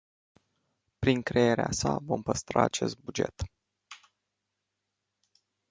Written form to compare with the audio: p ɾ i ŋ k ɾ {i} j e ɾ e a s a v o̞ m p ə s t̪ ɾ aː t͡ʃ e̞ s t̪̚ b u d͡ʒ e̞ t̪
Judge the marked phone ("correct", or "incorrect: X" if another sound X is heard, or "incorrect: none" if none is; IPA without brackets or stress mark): incorrect: e